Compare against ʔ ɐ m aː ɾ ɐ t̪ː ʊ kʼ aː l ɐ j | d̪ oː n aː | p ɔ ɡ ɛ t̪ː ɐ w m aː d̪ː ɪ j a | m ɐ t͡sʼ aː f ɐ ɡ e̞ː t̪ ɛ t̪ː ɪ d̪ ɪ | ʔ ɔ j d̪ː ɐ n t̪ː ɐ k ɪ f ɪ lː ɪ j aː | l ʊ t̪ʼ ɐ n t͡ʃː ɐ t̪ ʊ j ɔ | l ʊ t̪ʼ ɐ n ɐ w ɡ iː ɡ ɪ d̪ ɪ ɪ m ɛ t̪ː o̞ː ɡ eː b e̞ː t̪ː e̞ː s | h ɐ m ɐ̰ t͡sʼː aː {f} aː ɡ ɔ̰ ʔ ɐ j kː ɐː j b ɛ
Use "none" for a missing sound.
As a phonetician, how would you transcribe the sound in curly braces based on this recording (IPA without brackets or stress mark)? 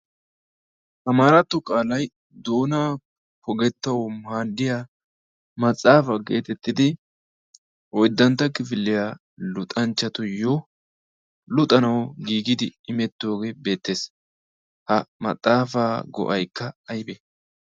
f